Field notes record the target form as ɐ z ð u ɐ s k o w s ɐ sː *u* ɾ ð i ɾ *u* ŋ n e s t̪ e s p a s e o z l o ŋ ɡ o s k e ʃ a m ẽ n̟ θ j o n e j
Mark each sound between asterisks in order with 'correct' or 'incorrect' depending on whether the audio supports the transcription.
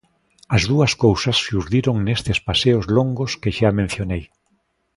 correct, incorrect: o

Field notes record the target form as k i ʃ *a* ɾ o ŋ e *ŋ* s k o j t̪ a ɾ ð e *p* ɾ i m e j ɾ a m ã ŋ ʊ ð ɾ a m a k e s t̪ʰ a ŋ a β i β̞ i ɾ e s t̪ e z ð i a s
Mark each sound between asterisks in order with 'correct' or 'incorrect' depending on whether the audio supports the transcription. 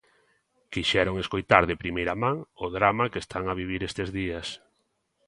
incorrect: ɛ, incorrect: none, correct

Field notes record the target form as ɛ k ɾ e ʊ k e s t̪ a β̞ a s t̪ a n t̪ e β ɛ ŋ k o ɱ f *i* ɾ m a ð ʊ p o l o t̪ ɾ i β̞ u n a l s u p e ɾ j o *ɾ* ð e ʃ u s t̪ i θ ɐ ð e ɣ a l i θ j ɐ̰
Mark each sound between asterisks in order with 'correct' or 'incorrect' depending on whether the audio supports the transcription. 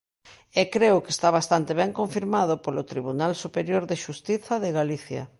correct, correct

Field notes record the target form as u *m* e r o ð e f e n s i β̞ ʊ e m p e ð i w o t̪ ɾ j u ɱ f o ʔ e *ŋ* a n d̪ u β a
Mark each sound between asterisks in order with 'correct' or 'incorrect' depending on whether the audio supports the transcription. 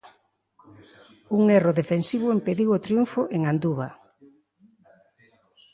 incorrect: ŋ, correct

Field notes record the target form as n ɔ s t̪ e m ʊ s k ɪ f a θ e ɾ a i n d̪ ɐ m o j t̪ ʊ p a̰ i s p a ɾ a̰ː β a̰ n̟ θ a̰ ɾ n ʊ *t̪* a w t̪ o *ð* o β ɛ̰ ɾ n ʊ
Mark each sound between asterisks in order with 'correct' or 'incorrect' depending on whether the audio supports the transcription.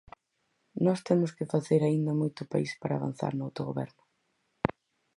incorrect: none, incorrect: ɣ

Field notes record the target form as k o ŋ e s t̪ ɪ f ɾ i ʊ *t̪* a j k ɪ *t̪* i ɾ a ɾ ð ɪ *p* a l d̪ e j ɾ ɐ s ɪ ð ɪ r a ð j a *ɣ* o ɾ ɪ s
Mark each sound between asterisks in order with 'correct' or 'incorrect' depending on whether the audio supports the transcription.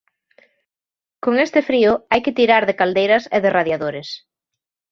incorrect: none, correct, incorrect: k, incorrect: ð

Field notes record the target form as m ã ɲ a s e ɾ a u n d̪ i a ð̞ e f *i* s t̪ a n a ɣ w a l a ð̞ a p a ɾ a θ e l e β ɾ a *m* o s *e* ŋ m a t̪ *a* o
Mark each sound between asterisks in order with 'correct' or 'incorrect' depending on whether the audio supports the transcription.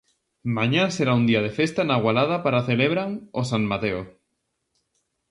incorrect: e, incorrect: ŋ, incorrect: a, incorrect: e

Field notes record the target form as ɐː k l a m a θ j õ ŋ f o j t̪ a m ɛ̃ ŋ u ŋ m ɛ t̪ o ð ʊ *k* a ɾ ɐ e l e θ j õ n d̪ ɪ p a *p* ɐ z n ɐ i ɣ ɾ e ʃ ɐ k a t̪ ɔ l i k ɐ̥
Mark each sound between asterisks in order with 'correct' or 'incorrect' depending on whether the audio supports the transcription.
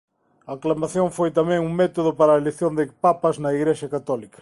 incorrect: p, correct

